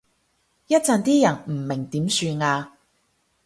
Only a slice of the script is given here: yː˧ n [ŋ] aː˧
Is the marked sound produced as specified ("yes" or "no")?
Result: yes